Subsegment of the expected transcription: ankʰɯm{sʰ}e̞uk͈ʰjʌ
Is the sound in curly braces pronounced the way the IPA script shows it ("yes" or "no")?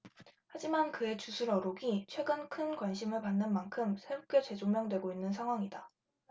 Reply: yes